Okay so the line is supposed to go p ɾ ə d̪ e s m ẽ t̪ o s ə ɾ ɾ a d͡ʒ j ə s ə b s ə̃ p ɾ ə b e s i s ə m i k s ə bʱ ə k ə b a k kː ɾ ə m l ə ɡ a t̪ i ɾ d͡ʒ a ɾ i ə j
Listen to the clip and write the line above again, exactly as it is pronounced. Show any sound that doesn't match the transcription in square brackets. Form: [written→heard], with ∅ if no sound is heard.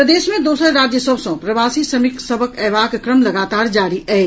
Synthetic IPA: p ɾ ə d̪ e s m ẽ [t̪→d̪] o s ə ɾ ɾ a d͡ʒ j ə s ə b s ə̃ p ɾ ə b [e→a] s i s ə m i k s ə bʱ ə k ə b a k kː ɾ ə m l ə ɡ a t̪ [i→a] ɾ d͡ʒ a ɾ i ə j